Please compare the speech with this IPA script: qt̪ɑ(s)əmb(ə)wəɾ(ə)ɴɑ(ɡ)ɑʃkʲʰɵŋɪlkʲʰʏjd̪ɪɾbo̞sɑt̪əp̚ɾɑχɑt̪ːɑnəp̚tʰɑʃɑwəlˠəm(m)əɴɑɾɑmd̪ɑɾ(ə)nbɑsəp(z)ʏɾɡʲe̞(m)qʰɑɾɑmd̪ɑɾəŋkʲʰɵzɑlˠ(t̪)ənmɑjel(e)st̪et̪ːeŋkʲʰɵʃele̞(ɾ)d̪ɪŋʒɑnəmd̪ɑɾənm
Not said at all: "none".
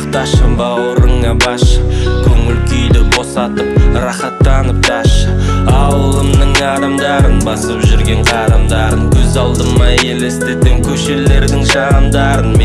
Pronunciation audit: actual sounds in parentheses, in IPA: ʃ, ɑ, ə, b, n, ə, ʒ, ɴ, d̪, e, ɾ

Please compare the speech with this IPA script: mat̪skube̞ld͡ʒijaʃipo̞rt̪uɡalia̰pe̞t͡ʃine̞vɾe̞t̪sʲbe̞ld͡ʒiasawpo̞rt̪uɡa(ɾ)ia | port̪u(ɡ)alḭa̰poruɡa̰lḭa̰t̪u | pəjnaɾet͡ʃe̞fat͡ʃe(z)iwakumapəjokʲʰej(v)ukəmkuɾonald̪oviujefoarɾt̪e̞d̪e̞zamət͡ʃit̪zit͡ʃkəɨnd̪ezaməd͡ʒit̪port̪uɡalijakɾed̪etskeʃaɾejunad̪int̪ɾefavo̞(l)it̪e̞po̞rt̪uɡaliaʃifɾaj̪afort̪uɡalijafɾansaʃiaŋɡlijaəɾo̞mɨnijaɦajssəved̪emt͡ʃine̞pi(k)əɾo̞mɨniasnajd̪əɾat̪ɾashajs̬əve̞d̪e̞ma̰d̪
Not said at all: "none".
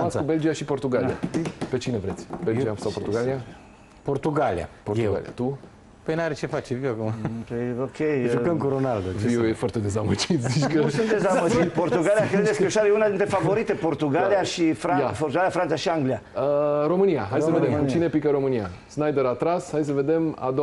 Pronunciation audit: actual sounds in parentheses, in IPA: l, ɡ, v, ʒ, ɾ, k

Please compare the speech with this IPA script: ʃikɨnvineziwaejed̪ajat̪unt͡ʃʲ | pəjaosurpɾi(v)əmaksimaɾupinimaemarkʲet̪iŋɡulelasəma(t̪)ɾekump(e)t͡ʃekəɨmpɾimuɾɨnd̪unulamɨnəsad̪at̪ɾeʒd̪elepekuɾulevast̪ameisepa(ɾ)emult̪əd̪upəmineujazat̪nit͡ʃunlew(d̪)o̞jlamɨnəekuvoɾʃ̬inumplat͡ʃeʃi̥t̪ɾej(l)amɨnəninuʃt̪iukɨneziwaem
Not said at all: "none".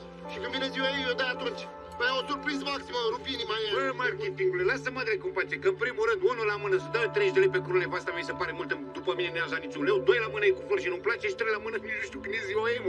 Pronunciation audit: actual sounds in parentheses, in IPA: z, d̪, a, ɾ, d̪, l

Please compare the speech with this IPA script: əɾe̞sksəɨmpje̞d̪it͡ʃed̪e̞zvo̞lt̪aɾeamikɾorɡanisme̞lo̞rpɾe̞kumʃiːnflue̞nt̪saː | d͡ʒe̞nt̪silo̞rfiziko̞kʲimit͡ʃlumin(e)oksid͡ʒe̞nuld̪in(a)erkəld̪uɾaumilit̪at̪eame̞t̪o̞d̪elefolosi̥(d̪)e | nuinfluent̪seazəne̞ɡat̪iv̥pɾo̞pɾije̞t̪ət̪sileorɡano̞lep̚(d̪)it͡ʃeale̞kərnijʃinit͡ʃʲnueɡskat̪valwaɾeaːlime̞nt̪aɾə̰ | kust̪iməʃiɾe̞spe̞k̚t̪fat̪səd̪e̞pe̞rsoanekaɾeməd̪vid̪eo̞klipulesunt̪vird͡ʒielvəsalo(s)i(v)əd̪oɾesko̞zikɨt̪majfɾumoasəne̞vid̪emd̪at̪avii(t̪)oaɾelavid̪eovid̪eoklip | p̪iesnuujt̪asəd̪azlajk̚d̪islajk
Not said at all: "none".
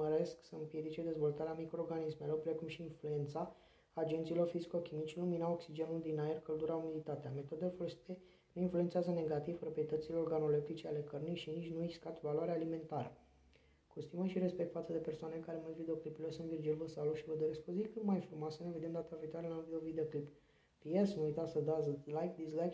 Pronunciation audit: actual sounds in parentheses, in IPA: a, a, t̪, t̪, ʃ, v, t̪

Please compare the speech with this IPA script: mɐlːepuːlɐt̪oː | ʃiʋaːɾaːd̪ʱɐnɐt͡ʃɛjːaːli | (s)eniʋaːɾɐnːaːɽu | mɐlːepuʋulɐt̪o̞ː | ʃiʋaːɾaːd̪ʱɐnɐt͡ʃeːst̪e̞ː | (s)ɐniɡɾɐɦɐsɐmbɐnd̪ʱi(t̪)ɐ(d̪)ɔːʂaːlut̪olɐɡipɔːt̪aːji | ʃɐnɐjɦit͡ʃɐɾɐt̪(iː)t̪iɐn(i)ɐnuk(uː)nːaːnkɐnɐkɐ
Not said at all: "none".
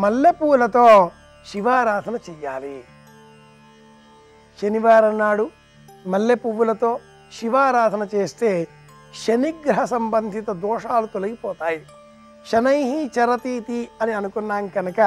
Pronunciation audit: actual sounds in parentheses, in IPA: ʃ, ʃ, t̪, d̪, iː, i, u

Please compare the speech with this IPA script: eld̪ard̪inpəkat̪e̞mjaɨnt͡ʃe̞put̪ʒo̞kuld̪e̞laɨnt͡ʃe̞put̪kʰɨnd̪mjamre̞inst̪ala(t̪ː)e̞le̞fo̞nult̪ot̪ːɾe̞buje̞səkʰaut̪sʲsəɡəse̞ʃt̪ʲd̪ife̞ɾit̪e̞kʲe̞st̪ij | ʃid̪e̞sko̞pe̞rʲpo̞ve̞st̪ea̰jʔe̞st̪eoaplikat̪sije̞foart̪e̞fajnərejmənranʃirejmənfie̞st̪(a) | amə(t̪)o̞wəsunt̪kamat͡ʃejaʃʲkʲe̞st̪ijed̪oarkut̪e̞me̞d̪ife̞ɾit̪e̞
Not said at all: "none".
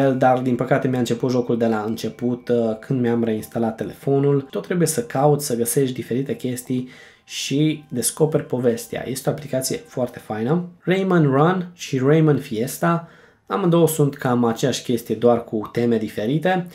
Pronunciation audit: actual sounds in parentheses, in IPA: t̪ː, a, d̪

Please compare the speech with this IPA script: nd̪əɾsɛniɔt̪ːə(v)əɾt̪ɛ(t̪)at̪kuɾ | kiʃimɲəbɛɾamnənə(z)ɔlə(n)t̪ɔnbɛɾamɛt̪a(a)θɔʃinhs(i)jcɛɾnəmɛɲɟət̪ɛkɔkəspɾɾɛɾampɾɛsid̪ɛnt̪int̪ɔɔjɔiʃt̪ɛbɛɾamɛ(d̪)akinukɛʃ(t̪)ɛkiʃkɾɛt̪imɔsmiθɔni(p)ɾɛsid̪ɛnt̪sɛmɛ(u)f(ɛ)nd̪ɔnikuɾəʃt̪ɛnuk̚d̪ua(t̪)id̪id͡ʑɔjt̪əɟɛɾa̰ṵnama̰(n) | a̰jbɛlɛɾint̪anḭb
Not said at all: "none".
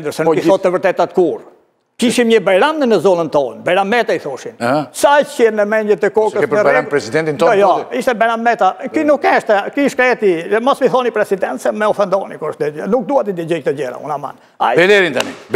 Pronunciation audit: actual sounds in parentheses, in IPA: v, t̪, z, n, i, a, t̪, t̪, p, ɔ, ɛ, t̪, n

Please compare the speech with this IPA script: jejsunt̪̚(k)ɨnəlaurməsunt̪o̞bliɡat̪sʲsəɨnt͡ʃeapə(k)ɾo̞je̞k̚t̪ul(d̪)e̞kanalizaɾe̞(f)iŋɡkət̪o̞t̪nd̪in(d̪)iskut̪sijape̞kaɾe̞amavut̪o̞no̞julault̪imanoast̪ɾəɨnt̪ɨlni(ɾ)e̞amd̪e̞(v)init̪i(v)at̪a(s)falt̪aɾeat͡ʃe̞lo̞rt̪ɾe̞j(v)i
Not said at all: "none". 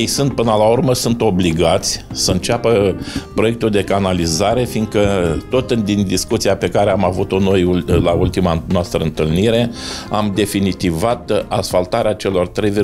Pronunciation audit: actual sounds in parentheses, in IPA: p, p, d̪, f, d̪, ɾ, f, v, s, v

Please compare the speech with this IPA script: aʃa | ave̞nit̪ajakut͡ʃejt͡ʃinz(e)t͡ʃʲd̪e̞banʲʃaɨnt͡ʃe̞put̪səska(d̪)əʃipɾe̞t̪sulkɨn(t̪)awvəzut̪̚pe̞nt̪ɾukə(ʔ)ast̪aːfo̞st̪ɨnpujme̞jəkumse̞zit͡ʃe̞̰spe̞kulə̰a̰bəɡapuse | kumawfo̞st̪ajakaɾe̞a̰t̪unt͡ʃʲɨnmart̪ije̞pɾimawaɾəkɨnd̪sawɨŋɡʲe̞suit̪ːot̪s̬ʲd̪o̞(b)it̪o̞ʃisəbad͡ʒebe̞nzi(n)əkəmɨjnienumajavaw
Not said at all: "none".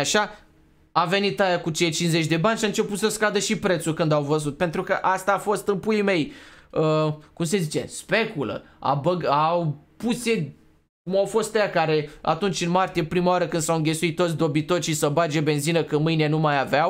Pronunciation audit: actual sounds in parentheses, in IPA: e, d̪, d̪, ʔ, b, n

